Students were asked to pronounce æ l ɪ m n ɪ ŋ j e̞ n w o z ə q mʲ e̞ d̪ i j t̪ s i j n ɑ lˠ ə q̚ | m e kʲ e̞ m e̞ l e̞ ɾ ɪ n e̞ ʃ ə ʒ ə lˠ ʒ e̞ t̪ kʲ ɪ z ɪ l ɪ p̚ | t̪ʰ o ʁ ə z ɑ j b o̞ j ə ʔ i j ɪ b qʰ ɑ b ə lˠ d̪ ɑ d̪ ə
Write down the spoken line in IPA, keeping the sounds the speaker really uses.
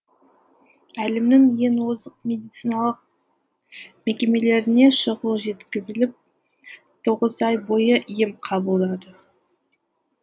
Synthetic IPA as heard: æ l ɪ m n ɪ ŋ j e̞ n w o z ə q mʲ e̞ d̪ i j t̪ s i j n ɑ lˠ ə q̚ | m e kʲ e̞ m e̞ l e̞ ɾ ɪ n e̞ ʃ ə ʁ ə lˠ ʒ e̞ t̪ kʲ ɪ z ɪ l ɪ p̚ | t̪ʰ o ʁ ə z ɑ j b o̞ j ə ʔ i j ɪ m qʰ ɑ b ə lˠ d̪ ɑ d̪ ə